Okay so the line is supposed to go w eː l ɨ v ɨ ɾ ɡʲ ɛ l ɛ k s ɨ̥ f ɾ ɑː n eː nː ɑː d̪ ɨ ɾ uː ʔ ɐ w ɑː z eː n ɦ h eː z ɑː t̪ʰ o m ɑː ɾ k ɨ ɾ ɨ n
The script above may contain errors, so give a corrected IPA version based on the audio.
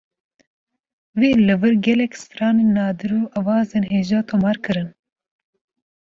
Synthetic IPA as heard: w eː l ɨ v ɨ ɾ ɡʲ ɛ l ɛ k s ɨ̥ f ɾ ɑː n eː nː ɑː d̪ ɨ ɾ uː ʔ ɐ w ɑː z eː n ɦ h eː ʒ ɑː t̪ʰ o m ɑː ɾ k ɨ ɾ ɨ n